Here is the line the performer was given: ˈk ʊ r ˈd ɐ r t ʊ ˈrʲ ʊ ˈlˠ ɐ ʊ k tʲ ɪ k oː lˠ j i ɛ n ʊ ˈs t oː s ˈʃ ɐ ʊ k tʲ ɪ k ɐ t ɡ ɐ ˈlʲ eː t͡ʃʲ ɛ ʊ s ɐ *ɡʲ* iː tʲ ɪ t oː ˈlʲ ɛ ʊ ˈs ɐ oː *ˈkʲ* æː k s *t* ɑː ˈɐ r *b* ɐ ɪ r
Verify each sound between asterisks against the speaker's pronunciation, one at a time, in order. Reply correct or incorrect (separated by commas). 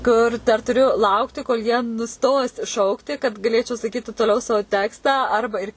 incorrect, incorrect, correct, correct